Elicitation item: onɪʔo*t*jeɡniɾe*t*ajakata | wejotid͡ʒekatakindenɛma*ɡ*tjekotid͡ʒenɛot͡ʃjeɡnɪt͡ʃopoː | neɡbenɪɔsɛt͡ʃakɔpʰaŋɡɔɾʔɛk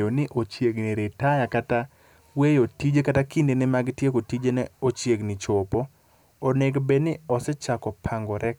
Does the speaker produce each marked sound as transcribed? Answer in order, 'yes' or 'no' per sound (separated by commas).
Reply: no, yes, yes